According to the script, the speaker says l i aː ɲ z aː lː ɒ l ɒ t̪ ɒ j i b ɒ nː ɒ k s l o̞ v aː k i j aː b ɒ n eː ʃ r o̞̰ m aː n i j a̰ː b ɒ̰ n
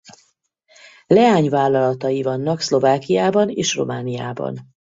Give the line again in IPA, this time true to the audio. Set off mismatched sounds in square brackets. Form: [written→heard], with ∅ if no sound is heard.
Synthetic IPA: l [i→ɛ] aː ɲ [z→v] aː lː ɒ l ɒ t̪ ɒ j i [b→v] ɒ nː ɒ k s l o̞ v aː k i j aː b ɒ n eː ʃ r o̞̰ m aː n i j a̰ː b ɒ̰ n

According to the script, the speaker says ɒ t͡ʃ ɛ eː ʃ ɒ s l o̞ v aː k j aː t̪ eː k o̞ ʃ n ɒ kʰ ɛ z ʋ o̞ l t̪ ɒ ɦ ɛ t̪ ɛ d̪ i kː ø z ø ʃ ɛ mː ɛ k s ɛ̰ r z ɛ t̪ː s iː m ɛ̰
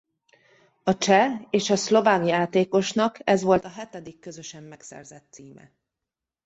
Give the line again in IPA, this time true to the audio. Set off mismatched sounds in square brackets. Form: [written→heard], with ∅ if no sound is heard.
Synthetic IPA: ɒ t͡ʃ ɛ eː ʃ ɒ s l o̞ v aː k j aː t̪ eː k o̞ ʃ n ɒ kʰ ɛ z ʋ o̞ l t̪ ɒ ɦ ɛ t̪ ɛ d̪ i kː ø z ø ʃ ɛ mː ɛ k s ɛ̰ r z ɛ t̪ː s iː m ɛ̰

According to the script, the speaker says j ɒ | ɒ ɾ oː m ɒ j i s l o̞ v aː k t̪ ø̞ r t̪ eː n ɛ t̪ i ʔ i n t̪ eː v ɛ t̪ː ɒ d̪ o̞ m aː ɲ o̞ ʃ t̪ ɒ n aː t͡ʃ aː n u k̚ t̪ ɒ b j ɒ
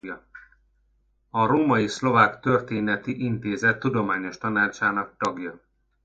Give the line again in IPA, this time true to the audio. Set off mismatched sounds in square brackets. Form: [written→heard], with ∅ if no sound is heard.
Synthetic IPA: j ɒ | ɒ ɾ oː m ɒ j i s l o̞ v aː k t̪ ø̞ r t̪ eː n ɛ t̪ i ʔ i n t̪ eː [v→z] ɛ t̪ː [ɒ→u] d̪ o̞ m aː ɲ o̞ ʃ t̪ ɒ n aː t͡ʃ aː n [u→ɒ] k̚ t̪ ɒ [b→ɡ] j ɒ

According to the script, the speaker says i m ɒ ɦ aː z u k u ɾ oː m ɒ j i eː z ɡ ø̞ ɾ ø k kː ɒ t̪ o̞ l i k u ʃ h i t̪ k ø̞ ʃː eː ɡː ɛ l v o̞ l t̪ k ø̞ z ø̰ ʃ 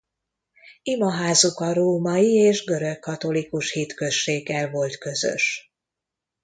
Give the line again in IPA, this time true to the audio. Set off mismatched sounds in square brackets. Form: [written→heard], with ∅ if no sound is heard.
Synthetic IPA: i m ɒ ɦ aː z u k [u→ɒ] ɾ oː m ɒ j i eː [z→ʒ] ɡ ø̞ ɾ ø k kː ɒ t̪ o̞ l i k u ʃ h i t̪ k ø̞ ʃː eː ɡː ɛ l v o̞ l t̪ k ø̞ z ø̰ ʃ

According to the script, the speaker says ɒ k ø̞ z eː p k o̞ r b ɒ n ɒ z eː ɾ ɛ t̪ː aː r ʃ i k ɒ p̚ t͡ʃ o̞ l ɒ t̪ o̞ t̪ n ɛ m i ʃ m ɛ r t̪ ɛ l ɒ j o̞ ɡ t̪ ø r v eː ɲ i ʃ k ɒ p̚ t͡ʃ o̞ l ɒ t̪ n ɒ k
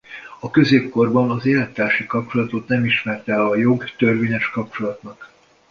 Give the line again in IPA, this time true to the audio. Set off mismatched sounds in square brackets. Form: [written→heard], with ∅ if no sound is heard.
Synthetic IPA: ɒ k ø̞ z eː p k o̞ r b ɒ n ɒ z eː [ɾ→l] ɛ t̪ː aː r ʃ i k ɒ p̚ t͡ʃ o̞ l ɒ t̪ o̞ t̪ n ɛ m i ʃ m ɛ r t̪ ɛ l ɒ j o̞ ɡ t̪ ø r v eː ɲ [i→ɛ] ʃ k ɒ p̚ t͡ʃ o̞ l ɒ t̪ n ɒ k

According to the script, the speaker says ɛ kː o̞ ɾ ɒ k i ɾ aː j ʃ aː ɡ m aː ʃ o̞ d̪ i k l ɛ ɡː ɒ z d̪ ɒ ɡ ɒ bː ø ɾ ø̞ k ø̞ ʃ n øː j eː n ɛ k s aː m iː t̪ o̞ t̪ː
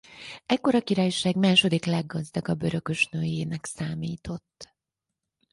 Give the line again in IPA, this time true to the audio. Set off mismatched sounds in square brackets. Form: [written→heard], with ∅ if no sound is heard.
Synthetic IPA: ɛ kː o̞ ɾ ɒ k i ɾ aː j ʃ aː ɡ m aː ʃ o̞ d̪ i k l ɛ ɡː ɒ z d̪ ɒ ɡ ɒ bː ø ɾ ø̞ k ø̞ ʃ n øː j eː n ɛ k s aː m iː t̪ o̞ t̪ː

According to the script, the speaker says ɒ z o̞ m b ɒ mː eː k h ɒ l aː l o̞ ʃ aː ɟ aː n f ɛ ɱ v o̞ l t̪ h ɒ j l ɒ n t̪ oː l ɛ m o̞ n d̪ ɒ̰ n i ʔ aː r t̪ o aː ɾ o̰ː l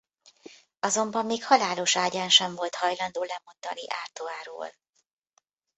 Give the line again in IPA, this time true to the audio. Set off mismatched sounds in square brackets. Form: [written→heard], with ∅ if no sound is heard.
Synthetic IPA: ɒ z o̞ m b ɒ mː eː k h ɒ l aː l o̞ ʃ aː ɟ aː n [f→ʃ] ɛ ɱ v o̞ l t̪ h ɒ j l ɒ n [t̪→d̪] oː l ɛ m o̞ n d̪ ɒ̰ n i ʔ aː r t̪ o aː ɾ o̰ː l

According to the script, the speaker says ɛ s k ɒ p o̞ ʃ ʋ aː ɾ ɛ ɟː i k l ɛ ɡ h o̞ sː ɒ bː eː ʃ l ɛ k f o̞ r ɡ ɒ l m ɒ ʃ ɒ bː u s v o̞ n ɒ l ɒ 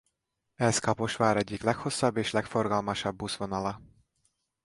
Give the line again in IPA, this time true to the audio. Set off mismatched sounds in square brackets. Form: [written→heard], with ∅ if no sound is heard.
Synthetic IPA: ɛ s k ɒ p o̞ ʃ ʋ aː ɾ ɛ ɟː i k l ɛ [ɡ→k] h o̞ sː ɒ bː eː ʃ l ɛ k f o̞ r ɡ ɒ l m ɒ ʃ ɒ bː u s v o̞ n ɒ l ɒ

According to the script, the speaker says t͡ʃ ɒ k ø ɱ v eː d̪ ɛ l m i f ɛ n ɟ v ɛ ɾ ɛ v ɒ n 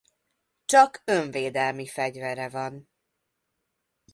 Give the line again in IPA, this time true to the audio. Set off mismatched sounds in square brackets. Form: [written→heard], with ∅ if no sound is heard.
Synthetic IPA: t͡ʃ ɒ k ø ɱ v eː d̪ ɛ l m i f ɛ [n→∅] ɟ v ɛ ɾ ɛ v ɒ n

